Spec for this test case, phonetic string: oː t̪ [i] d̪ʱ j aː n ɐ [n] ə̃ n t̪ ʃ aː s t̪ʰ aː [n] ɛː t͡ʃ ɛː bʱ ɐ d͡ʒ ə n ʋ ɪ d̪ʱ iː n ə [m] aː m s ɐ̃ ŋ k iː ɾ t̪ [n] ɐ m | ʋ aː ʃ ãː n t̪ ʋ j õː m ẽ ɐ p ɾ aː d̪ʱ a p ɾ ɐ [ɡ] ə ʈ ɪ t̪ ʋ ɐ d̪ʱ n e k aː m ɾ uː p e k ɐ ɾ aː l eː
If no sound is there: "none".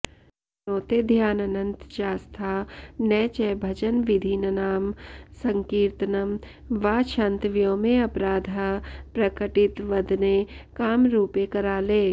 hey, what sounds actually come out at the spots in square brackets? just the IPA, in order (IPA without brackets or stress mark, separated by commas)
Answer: e, n, n, n, n, k